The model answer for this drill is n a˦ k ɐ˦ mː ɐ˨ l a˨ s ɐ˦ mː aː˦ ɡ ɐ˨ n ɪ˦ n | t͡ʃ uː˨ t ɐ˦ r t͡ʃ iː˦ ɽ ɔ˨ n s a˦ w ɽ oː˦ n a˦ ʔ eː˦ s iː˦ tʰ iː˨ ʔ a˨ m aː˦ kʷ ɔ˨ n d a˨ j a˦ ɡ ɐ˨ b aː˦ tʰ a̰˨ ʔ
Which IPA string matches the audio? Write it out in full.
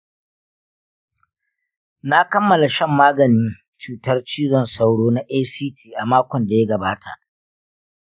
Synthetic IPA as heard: n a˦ k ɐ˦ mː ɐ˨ l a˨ ʃ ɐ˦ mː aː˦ ɡ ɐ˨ n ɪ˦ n | t͡ʃ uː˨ t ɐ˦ r t͡ʃ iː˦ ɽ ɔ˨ n s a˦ w ɽ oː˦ n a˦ ʔ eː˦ s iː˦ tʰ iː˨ ʔ a˨ m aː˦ kʷ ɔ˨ n d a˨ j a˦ ɡ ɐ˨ b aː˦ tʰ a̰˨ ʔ